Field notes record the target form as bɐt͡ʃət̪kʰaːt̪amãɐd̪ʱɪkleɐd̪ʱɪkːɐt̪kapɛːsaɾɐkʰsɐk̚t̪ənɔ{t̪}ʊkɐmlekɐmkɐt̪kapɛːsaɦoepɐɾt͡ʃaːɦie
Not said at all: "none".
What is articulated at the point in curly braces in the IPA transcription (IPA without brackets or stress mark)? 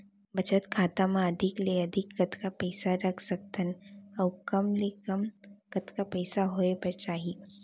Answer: none